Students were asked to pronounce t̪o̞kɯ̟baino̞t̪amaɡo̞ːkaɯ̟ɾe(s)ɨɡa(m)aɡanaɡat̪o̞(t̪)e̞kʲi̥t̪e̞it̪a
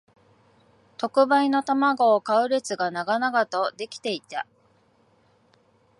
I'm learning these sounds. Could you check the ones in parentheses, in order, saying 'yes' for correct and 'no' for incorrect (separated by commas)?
no, no, no